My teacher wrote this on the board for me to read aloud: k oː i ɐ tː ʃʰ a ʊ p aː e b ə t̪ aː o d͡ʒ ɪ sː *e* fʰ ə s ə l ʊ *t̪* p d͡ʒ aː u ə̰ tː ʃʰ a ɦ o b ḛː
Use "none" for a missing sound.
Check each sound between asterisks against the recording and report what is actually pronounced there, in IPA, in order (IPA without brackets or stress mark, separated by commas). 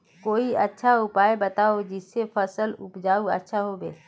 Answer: e, none